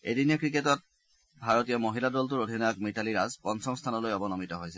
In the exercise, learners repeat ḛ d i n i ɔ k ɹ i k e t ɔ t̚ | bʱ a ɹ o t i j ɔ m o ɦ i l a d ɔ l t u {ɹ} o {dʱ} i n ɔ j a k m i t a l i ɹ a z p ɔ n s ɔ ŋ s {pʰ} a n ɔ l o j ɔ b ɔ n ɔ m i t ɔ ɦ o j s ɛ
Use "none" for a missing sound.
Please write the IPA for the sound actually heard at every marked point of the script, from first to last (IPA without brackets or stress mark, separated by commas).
ɹ, dʱ, tʰ